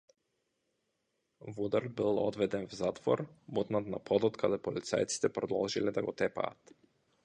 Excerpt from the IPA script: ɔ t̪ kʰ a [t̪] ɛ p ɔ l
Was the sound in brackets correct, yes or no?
no